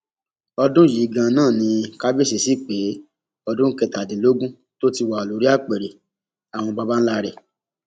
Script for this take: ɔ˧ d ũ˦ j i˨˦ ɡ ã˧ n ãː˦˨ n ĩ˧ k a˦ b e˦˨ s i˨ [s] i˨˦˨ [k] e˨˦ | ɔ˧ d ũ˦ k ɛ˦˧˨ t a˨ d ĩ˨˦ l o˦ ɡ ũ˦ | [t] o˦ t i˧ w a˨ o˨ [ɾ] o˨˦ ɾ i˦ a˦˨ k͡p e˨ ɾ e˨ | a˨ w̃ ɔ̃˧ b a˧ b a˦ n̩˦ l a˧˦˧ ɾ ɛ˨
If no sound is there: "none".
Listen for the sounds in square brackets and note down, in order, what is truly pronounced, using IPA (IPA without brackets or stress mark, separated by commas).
s, k͡p, t, l